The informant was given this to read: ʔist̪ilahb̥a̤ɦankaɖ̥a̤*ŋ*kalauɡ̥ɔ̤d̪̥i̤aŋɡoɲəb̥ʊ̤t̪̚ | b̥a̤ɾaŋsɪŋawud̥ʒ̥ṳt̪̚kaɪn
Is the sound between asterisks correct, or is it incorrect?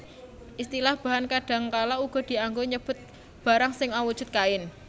correct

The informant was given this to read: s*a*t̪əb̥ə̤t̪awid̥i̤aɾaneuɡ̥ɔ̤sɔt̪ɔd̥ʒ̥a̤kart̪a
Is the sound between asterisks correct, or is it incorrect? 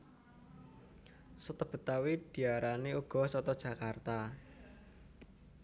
incorrect: ə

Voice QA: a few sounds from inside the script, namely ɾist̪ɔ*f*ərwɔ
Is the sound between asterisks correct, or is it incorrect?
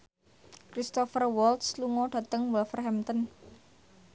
correct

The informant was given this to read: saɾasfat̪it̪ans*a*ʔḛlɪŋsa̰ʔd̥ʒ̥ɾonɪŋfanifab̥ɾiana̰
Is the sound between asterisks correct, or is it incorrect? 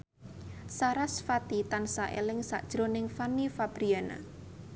correct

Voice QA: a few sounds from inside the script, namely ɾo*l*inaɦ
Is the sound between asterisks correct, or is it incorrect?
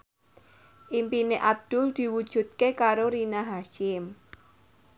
incorrect: ɾ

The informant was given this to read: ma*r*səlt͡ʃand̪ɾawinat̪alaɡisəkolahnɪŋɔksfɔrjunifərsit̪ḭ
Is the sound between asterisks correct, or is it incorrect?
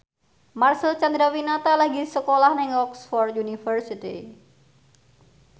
correct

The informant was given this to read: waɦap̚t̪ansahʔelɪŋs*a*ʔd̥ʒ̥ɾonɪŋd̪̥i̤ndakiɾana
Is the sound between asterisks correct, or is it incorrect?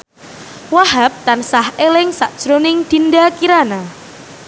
correct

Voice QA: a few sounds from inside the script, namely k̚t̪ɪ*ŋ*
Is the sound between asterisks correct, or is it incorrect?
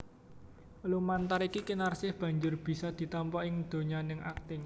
correct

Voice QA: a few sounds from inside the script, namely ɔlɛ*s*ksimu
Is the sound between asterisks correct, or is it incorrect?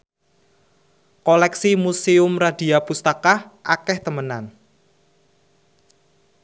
incorrect: none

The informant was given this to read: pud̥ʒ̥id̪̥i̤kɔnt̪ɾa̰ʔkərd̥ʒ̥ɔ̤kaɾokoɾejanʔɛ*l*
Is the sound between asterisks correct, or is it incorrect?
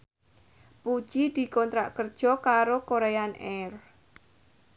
incorrect: r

